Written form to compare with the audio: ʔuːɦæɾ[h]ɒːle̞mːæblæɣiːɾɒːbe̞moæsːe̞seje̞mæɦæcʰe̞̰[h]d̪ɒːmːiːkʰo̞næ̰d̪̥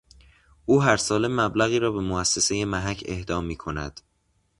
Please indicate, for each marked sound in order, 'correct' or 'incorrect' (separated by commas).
incorrect, correct